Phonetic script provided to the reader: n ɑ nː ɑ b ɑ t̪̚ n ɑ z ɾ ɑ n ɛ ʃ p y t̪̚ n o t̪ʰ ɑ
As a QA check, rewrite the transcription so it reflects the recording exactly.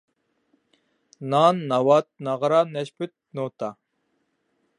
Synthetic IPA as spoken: n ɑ nː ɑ w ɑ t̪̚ n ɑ ʁ ɾ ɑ n ɛ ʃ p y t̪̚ n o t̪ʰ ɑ